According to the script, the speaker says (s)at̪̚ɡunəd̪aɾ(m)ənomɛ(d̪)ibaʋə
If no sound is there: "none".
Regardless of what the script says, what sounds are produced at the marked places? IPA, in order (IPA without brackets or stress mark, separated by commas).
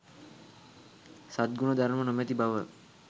s, m, t̪